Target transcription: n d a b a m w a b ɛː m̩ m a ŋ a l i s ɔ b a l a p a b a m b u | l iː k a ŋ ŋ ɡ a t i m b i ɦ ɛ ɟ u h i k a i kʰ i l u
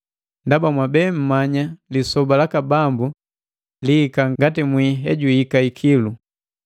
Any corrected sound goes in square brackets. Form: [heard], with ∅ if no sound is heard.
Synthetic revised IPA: n d a b a m w a b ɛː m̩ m a [ɲ] a l i s ɔ b a l a [k] a b a m b u | l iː k a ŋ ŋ ɡ a t i m [w] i ɦ ɛ ɟ u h i k a i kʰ i l u